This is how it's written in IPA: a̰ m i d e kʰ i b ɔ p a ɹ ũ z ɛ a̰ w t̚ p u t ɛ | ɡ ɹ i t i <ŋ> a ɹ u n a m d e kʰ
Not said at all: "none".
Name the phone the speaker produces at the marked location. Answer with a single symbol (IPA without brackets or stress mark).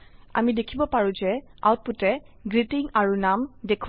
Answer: ŋ